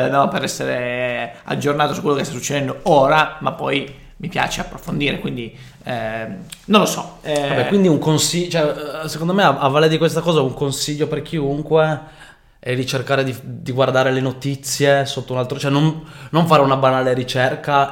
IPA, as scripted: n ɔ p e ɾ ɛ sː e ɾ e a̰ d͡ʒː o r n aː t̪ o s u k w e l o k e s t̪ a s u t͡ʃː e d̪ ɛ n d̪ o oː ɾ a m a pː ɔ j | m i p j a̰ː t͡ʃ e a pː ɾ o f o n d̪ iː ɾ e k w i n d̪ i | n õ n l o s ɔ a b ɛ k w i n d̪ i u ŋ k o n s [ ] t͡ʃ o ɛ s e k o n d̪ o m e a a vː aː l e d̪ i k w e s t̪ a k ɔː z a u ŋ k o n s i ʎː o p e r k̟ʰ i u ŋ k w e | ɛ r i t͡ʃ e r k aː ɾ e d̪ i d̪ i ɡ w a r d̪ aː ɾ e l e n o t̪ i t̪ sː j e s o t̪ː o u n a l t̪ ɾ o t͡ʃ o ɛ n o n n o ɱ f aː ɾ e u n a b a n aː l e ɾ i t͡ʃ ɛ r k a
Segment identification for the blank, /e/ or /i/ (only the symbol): i